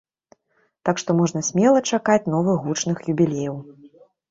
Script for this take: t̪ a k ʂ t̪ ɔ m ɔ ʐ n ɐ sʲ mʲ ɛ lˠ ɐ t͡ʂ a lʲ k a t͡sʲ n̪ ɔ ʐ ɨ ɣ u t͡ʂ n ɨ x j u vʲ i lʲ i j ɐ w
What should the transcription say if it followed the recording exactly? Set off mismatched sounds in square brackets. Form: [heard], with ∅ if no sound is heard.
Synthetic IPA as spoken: t̪ a k ʂ t̪ ɔ m ɔ ʐ n ɐ sʲ mʲ ɛ lˠ ɐ t͡ʂ a [∅] k a t͡sʲ n̪ ɔ [v] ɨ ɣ u t͡ʂ n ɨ x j u [bʲ] i lʲ [e] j ɐ w